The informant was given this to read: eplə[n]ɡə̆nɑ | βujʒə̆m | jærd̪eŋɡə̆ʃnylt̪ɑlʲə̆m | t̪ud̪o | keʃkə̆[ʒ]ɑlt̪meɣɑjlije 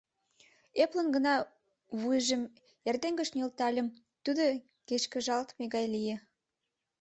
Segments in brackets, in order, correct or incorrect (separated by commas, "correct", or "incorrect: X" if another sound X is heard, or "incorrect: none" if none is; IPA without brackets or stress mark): correct, correct